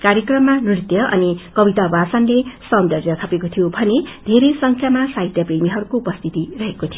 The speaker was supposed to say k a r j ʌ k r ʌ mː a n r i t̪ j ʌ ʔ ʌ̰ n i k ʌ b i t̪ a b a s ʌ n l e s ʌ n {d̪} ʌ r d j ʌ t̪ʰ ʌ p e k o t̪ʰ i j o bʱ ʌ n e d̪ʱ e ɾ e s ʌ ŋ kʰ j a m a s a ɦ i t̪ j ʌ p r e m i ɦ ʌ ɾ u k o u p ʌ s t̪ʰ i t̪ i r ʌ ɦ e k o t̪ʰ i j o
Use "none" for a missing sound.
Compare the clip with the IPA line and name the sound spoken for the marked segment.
d̪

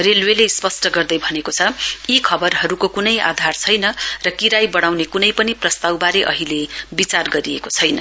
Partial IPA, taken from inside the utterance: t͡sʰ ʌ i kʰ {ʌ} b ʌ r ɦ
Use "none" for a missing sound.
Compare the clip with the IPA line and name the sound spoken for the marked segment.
ʌ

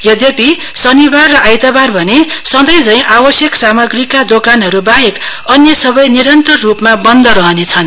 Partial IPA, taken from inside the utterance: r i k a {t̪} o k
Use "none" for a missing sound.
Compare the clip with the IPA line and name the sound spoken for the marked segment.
d̪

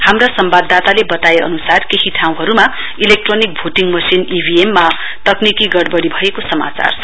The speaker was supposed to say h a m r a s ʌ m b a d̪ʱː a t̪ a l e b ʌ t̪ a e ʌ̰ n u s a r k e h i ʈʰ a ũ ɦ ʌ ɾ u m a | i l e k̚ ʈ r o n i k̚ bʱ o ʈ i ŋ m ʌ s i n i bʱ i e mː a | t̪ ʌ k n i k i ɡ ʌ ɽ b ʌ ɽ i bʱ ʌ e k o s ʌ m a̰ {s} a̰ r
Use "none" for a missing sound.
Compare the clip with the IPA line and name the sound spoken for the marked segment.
t͡s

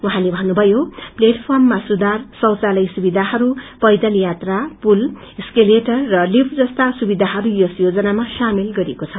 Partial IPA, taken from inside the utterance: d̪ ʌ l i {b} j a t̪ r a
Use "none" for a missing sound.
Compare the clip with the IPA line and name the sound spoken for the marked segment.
none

